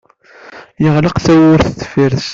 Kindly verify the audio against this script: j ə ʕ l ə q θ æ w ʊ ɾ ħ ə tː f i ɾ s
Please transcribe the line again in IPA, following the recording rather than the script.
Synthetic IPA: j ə ʁ l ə q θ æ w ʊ ɾ θ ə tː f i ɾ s